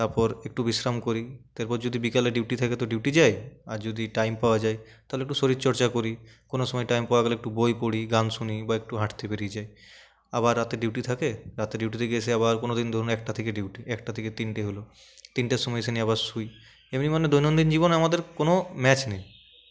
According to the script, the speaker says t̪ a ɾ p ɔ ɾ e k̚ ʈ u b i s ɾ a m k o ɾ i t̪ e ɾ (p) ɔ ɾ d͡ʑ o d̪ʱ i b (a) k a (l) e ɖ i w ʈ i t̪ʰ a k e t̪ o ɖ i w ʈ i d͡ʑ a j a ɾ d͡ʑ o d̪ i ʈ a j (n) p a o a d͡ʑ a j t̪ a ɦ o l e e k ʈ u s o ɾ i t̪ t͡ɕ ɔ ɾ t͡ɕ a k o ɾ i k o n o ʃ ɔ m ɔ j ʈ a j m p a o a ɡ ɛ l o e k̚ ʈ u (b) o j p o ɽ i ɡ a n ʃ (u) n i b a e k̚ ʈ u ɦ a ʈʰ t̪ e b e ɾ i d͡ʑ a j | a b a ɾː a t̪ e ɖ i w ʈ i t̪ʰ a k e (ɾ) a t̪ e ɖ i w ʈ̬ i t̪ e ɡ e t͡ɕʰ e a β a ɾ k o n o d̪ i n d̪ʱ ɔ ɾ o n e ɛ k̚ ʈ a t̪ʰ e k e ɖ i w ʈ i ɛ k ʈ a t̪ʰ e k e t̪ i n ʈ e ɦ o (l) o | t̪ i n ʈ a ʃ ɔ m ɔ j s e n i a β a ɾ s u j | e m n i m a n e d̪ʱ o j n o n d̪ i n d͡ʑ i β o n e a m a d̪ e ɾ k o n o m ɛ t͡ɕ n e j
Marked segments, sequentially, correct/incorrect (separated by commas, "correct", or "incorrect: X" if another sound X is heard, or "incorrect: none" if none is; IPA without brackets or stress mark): correct, incorrect: i, correct, incorrect: m, correct, correct, correct, correct